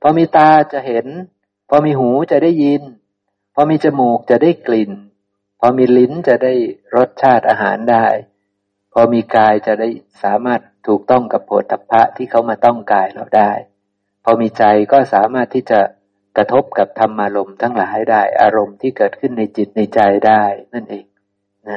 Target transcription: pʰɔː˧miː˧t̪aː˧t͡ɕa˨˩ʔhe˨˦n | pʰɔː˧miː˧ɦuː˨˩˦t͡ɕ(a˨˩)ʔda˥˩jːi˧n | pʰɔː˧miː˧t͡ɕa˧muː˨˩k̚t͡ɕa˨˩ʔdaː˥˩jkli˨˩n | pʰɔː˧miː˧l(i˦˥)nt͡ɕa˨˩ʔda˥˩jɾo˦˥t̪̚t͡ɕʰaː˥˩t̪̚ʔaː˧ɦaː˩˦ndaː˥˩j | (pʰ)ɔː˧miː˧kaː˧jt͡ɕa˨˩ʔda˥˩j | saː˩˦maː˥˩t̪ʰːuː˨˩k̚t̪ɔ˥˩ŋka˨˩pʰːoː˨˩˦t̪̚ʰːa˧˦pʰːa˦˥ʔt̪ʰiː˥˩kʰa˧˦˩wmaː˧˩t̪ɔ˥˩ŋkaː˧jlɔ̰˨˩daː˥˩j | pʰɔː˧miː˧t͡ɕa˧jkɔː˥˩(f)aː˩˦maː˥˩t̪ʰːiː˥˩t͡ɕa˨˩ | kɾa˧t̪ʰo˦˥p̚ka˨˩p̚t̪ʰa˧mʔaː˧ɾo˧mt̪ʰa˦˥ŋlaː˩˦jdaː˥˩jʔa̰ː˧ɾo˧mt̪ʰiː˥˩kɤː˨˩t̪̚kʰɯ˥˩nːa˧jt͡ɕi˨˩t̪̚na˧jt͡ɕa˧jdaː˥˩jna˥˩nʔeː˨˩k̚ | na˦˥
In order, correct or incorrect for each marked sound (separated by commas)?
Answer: correct, correct, correct, incorrect